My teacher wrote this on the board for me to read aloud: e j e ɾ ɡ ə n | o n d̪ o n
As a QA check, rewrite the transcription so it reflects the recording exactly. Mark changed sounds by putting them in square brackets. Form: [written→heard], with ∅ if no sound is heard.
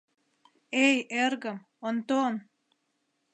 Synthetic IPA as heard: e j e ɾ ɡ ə [n→m] | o n [d̪→t̪] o n